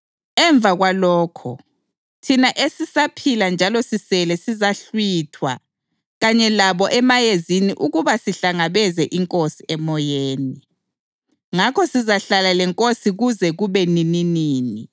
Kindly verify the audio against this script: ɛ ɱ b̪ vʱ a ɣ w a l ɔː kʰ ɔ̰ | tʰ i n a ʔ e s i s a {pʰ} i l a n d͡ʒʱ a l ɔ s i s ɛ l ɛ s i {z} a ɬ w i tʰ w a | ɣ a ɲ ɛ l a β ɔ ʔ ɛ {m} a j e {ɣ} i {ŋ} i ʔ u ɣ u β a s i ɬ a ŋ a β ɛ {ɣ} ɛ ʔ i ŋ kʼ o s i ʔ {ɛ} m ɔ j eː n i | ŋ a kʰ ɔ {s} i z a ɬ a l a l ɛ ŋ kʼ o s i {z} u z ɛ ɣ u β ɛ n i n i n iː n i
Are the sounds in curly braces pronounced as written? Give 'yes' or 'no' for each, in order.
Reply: yes, yes, yes, no, no, no, yes, yes, no

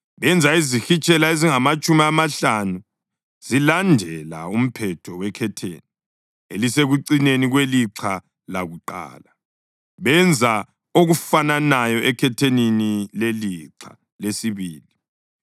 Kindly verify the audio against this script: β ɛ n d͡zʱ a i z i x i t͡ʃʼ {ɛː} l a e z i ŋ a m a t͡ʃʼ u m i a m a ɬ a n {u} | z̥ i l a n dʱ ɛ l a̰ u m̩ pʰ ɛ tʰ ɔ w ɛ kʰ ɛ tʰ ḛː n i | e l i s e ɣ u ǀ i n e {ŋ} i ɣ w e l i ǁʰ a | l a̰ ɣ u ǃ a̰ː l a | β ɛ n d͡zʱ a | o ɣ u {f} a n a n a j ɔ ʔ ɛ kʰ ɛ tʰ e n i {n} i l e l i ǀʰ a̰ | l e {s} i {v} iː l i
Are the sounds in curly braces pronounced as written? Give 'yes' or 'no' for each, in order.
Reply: no, yes, no, yes, yes, yes, no

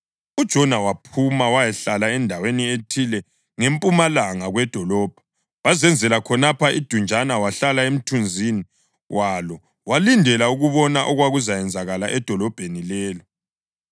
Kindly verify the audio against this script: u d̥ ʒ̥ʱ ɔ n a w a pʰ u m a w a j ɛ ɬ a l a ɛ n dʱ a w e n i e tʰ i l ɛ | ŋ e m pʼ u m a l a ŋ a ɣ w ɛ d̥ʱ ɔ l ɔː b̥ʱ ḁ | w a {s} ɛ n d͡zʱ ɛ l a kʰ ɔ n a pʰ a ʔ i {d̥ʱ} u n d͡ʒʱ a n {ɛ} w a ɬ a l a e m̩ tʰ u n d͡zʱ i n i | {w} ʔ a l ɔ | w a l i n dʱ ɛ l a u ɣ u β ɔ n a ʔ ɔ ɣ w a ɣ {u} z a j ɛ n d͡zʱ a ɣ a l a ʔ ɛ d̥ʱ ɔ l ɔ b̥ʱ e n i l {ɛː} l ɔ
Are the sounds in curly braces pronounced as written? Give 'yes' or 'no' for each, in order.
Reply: no, yes, no, yes, yes, yes

